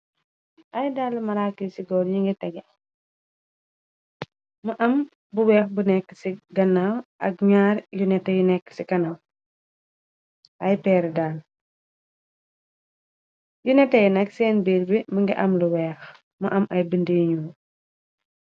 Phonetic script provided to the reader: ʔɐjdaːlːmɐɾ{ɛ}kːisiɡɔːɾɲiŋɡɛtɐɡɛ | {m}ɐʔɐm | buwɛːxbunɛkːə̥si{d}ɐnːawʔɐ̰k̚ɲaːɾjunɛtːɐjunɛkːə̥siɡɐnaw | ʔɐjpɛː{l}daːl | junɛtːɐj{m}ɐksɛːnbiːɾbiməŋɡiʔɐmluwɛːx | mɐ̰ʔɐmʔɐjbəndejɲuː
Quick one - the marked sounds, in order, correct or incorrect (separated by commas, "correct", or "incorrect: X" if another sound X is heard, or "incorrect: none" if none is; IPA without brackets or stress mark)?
incorrect: a, correct, incorrect: ɡ, incorrect: ɾ, incorrect: n